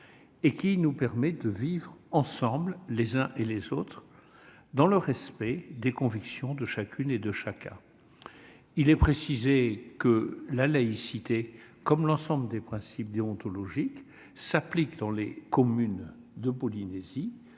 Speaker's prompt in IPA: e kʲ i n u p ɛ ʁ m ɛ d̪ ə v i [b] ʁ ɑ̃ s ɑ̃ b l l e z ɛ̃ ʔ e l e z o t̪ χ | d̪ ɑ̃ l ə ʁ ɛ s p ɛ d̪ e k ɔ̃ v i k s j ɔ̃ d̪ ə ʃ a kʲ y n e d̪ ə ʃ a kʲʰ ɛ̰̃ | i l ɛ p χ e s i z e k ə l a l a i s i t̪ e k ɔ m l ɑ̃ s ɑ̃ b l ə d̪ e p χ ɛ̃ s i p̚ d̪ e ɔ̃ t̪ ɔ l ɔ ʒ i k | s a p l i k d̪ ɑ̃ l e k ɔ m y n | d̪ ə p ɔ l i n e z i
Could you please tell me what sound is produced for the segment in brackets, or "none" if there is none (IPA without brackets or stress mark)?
v